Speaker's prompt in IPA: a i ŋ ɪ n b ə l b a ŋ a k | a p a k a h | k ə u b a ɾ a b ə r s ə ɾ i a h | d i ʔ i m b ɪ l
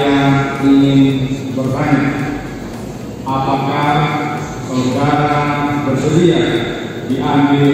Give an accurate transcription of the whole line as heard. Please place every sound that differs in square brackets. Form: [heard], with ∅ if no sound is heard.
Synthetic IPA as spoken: a i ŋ ɪ n b ə [r] b a [ɲ] a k | a p a k a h | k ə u [d] a ɾ a b ə r s ə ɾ i a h | d i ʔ [a] m b ɪ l